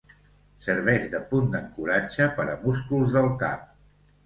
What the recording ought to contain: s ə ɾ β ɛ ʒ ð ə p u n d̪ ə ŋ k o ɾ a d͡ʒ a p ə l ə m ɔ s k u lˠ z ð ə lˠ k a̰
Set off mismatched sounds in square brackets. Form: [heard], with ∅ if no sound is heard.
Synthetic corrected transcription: s ə ɾ β ɛ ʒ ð ə p u n d̪ ə ŋ k [u] ɾ a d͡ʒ [ə] p ə [ɾ] ə m [u] s k u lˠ z ð ə lˠ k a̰